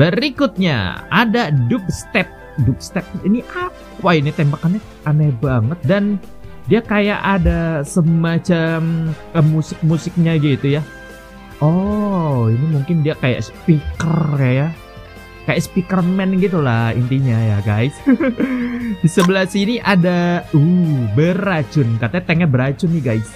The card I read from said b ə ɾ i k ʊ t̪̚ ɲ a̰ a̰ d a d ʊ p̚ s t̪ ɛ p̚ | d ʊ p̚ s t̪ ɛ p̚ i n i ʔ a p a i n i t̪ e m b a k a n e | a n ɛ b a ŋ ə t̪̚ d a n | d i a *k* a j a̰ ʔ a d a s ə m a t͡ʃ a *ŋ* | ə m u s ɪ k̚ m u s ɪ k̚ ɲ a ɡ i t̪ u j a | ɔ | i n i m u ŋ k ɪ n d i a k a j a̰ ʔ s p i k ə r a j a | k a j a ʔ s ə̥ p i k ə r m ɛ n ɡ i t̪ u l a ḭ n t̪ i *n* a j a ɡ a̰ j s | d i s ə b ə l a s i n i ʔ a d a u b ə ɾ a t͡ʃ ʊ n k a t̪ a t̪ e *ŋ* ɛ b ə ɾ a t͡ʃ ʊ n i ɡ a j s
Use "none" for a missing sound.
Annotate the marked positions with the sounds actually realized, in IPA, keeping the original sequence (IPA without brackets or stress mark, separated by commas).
k, m, ɲ, ŋ